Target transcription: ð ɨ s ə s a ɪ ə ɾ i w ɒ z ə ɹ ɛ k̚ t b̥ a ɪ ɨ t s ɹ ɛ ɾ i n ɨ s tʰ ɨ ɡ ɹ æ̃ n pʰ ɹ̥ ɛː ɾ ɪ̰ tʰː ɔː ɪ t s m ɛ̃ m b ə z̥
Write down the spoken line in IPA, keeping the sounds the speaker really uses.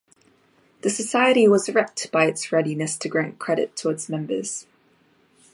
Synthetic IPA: ð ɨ s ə s a ɪ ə ɾ i w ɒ z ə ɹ ɛ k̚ t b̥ a ɪ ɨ t s ɹ ɛ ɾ i n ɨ s tʰ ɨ ɡ ɹ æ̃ n kʰ ɹ̥ ɛ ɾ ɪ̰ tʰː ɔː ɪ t s m ɛ̃ m b ə z̥